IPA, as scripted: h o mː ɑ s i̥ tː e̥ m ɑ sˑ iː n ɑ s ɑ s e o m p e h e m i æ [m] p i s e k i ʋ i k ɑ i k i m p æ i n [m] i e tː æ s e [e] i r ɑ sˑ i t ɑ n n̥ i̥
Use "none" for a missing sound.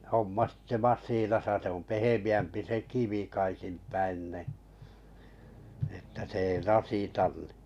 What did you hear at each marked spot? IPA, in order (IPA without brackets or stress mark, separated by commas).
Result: m, n, e